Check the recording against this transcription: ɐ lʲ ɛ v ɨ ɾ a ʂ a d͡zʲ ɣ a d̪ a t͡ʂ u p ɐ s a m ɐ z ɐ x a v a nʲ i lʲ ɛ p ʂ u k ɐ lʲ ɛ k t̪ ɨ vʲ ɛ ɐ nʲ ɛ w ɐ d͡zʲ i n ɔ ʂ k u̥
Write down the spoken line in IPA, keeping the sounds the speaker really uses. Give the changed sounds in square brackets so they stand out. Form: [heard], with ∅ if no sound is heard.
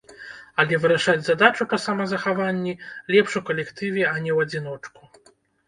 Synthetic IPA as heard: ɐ lʲ ɛ v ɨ ɾ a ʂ a d͡zʲ [z] a d̪ a t͡ʂ u p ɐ s a m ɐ z ɐ x a v a [nʲː] i lʲ ɛ p ʂ u k ɐ lʲ ɛ k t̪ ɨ vʲ ɛ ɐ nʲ ɛ w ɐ d͡zʲ i n ɔ [t͡ʂ] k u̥